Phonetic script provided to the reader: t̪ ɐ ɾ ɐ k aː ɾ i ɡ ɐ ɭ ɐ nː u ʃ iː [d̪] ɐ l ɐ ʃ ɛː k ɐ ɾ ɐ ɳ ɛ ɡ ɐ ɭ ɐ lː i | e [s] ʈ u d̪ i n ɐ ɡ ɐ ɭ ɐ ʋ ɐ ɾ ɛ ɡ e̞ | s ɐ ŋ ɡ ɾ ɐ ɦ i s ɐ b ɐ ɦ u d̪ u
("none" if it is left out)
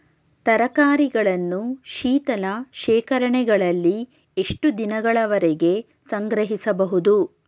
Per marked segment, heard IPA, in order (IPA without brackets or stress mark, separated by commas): t̪, ʂ